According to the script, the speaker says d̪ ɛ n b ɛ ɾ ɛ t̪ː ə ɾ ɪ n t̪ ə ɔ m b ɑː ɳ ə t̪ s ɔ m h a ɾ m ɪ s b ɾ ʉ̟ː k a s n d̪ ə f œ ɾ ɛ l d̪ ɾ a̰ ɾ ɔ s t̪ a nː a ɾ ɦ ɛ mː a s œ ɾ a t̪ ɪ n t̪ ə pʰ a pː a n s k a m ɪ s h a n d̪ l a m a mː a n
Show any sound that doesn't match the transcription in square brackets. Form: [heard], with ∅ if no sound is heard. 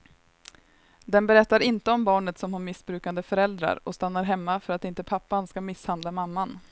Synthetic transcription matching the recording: d̪ ɛ n b ɛ ɾ ɛ t̪ː [a] ɾ ɪ n t̪ ə ɔ m b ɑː ɳ ə t̪ s ɔ m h a ɾ m ɪ s b ɾ ʉ̟ː k a [∅] n d̪ ə f œ ɾ ɛ l d̪ ɾ a̰ ɾ ɔ s t̪ a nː a ɾ ɦ ɛ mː a [f] œ ɾ a t̪ ɪ n t̪ ə pʰ a pː a n s k a m ɪ s h a n d̪ l a m a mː a n